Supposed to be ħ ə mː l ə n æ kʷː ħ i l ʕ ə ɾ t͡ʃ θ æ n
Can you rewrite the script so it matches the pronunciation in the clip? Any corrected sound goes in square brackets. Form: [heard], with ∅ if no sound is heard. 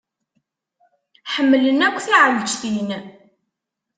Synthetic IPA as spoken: ħ ə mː l ə n æ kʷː [θ] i [∅] ʕ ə [l] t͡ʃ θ [i] n